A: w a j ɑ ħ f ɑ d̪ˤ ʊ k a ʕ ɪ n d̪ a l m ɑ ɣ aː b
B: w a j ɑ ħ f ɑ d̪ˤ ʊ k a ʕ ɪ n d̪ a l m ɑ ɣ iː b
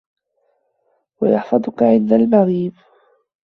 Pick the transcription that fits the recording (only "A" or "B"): B